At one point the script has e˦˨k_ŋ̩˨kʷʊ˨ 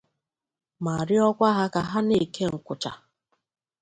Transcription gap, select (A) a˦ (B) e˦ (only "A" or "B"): B